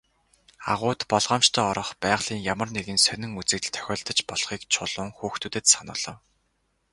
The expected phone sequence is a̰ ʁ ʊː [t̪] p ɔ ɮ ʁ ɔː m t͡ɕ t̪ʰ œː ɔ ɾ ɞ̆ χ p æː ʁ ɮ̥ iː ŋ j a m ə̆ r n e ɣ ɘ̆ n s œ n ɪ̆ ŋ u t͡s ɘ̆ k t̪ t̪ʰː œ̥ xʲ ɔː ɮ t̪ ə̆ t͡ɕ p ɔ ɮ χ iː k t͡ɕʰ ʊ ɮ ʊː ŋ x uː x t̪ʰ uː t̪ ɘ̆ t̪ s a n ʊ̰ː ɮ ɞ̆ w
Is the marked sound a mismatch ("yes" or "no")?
no